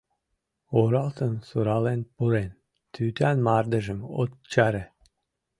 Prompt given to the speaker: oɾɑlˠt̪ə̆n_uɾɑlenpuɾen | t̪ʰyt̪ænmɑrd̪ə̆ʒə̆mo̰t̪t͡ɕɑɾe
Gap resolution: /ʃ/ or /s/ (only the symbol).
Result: s